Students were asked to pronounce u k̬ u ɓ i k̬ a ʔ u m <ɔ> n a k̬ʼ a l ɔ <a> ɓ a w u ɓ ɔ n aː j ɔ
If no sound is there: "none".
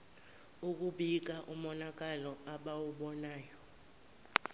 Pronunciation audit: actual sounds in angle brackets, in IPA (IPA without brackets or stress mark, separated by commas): ɔ, a